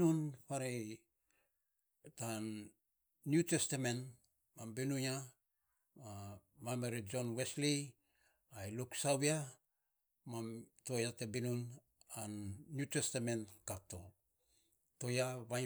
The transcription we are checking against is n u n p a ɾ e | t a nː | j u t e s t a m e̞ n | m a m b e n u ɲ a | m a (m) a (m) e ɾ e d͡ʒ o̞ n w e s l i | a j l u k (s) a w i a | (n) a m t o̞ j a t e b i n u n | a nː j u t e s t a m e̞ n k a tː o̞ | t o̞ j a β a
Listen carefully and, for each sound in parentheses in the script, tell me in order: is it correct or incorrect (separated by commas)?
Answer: correct, correct, correct, incorrect